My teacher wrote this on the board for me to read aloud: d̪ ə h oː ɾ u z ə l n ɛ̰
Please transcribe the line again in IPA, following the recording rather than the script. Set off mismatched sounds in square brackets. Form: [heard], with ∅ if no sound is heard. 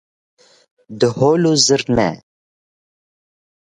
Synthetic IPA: d̪ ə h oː [l] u z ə [ɾ] n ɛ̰